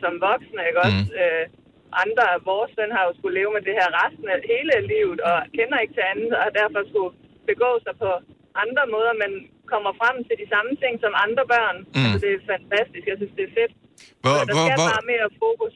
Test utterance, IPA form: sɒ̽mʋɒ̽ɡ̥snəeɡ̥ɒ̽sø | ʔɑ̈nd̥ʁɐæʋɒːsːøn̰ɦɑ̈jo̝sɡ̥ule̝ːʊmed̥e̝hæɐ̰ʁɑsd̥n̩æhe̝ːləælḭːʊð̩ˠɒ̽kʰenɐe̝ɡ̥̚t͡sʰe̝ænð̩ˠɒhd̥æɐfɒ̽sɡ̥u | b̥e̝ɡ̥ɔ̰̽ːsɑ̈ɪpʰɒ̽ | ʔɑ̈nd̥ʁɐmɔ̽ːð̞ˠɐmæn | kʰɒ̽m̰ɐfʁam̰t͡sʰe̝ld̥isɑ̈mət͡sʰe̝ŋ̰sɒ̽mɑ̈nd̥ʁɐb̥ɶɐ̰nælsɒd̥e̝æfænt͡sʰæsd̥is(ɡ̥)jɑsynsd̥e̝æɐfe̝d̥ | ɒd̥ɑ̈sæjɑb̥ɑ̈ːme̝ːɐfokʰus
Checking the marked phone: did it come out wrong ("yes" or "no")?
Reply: no